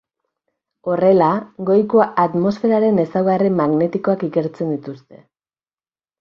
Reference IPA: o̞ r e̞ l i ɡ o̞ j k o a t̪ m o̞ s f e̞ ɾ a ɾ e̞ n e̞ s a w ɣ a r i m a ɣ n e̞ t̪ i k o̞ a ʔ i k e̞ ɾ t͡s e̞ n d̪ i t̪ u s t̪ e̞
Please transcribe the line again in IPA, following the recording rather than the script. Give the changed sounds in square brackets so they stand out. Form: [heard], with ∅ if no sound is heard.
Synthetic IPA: o̞ r e̞ l [a] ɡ o̞ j k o a t̪ m o̞ s f e̞ ɾ a ɾ e̞ n e̞ s a w ɣ a r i m a ɣ n e̞ t̪ i k o̞ a [k] i k e̞ ɾ t͡s e̞ n d̪ i t̪ u s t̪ e̞